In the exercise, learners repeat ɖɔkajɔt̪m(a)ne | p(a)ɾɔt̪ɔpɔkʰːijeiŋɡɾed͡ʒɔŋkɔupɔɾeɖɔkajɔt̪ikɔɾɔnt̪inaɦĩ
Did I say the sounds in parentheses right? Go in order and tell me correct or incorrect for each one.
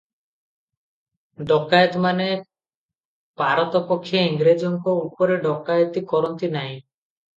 correct, correct

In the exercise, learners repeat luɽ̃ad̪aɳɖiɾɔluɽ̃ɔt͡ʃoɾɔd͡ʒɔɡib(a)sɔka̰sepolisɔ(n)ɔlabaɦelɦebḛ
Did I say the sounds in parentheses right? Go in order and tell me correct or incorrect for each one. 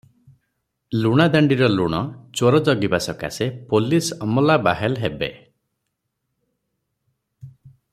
correct, incorrect: m

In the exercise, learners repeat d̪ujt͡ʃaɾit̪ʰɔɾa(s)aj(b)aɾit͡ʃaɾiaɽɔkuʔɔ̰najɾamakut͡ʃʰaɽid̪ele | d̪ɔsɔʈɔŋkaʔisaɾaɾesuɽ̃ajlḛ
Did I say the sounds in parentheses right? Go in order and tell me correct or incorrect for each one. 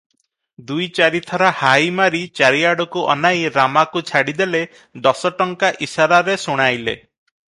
incorrect: h, incorrect: m

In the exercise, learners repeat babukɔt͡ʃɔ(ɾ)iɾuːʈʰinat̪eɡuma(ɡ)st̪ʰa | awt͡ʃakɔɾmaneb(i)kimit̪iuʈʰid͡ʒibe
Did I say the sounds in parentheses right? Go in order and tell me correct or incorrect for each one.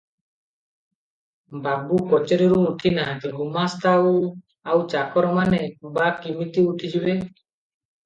correct, incorrect: none, incorrect: a

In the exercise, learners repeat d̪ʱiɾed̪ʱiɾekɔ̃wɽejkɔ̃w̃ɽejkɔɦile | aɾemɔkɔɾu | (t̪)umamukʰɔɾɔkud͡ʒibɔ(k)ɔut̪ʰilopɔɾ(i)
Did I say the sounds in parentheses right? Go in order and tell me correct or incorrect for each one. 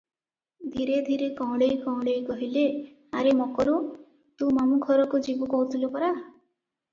correct, correct, incorrect: a

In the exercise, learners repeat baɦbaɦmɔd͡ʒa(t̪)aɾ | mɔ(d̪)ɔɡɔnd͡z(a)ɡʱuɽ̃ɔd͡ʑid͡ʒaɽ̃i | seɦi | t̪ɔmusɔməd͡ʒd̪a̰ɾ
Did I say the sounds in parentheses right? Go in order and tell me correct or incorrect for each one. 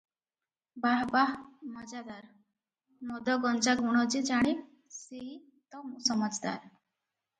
incorrect: d̪, correct, correct

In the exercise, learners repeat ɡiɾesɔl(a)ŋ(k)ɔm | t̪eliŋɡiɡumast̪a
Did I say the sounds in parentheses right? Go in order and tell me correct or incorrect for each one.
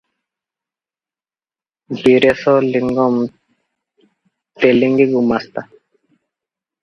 incorrect: i, incorrect: ɡ

